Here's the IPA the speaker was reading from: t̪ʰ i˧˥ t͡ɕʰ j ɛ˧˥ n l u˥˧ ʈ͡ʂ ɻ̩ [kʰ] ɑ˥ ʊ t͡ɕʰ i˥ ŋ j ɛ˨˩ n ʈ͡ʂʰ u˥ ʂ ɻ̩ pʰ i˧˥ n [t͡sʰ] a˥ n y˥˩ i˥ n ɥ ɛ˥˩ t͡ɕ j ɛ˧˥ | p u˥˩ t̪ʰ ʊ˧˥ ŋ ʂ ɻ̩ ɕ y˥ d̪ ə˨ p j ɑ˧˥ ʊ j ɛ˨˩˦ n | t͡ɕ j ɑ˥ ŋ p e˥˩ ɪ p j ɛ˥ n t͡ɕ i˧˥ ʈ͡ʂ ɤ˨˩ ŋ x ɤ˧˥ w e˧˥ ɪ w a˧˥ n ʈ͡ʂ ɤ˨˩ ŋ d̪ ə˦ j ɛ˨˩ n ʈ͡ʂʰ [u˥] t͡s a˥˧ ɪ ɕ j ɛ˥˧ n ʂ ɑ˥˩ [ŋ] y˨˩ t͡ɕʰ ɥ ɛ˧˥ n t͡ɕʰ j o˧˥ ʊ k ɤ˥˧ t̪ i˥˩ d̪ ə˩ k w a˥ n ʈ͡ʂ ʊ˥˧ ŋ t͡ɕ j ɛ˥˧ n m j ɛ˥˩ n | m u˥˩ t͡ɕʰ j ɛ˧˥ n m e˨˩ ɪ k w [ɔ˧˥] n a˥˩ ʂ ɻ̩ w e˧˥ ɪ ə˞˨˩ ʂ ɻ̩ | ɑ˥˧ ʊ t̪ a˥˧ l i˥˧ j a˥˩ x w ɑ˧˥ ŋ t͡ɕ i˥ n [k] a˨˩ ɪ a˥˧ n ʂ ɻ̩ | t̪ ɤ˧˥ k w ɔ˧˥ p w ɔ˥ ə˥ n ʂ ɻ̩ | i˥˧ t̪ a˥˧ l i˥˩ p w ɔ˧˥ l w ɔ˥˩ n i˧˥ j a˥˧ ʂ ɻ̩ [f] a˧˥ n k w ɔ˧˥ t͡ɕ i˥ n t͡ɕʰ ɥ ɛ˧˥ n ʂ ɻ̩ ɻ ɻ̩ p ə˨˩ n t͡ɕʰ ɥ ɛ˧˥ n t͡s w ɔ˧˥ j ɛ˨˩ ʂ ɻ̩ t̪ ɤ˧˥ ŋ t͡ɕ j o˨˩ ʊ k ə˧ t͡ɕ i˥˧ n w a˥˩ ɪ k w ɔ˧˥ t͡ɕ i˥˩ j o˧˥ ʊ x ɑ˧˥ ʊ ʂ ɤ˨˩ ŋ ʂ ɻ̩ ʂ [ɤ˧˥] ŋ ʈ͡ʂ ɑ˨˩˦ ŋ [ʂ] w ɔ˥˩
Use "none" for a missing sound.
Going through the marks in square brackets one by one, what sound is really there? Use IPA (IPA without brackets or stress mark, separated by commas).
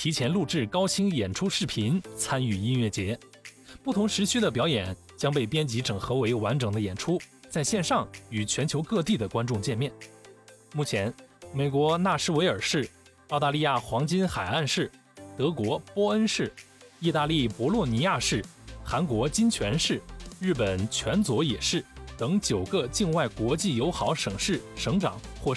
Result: k, t͡sʰ, u˥, ŋ, ɔ˧˥, x, x, ɤ˧˥, x